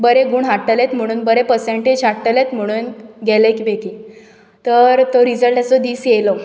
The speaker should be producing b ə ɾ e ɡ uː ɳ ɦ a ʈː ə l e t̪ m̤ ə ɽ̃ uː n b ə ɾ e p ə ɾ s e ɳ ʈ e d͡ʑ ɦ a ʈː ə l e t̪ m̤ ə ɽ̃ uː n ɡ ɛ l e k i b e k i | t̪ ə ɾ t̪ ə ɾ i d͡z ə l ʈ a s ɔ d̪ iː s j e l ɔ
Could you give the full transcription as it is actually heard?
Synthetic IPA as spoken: b ə ɾ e ɡ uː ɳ ɦ a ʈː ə l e t̪ m̤ ə ɽ̃ uː n b ə ɾ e p ə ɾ s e ɳ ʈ e d͡ʑ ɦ a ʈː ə l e t̪ m̤ ə ɽ̃ uː n ɡ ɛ l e k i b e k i | t̪ ə ɾ t̪ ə ɾ i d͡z ə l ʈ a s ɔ d̪ iː s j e l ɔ